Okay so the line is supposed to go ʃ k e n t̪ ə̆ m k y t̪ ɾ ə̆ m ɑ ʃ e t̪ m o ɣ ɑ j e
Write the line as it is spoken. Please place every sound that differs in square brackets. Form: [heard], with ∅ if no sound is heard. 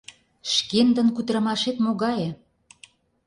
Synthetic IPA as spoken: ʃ k e n [d̪] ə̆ [n] k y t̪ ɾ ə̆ m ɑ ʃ e t̪ m o ɣ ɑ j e